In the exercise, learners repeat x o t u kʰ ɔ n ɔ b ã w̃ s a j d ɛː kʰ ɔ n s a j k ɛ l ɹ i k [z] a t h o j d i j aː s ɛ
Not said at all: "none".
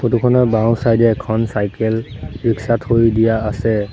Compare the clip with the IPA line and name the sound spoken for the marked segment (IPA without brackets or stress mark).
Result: s